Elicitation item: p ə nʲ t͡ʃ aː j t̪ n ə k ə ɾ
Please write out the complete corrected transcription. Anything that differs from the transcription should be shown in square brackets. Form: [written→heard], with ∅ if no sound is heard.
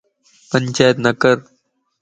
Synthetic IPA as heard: p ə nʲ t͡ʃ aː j t̪ n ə k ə ɾ